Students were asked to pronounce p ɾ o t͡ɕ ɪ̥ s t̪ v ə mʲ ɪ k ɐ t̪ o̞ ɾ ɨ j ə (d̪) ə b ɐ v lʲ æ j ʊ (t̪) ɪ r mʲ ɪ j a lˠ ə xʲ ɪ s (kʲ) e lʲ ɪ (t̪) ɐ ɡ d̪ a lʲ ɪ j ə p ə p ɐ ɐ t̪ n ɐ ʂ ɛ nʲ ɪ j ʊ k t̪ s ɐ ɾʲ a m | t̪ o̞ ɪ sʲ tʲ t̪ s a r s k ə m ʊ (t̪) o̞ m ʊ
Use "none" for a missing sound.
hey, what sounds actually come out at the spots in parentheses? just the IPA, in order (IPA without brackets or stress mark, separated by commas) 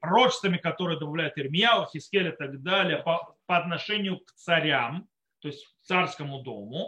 d̪, t̪, kʲ, t̪, d̪